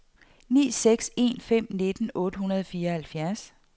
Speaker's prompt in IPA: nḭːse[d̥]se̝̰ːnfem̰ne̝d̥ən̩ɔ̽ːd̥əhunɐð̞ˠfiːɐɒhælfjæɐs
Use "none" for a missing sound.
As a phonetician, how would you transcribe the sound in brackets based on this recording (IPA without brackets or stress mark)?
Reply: ɡ̥